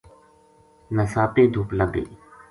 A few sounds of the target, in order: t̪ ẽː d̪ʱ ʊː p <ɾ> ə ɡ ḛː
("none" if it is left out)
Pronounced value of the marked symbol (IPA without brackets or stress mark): l